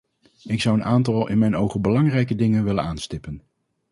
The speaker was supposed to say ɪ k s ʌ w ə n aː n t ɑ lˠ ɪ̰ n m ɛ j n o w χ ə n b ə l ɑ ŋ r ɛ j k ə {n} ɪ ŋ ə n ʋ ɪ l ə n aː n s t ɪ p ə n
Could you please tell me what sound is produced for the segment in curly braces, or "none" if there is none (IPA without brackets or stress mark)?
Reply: d